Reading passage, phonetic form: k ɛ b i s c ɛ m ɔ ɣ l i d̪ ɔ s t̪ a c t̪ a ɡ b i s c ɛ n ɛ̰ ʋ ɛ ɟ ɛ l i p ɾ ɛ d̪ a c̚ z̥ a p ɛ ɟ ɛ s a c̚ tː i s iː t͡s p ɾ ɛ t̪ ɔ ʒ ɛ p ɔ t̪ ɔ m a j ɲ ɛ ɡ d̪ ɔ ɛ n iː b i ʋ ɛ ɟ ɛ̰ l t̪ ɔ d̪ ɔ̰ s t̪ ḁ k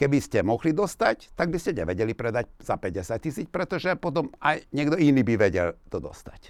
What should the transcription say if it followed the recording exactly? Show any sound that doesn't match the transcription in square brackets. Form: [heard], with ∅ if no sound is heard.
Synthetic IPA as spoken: k ɛ b i s c ɛ m ɔ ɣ l i d̪ ɔ s t̪ a c t̪ a ɡ b i s c ɛ [ɲ] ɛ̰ ʋ ɛ ɟ ɛ l i p ɾ ɛ d̪ a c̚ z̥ a p ɛ ɟ ɛ s a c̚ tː i s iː t͡s p ɾ ɛ t̪ ɔ ʒ ɛ p ɔ t̪ ɔ m a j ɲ ɛ ɡ d̪ ɔ [i] n iː b i ʋ ɛ ɟ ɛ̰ l t̪ ɔ d̪ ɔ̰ s t̪ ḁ [c]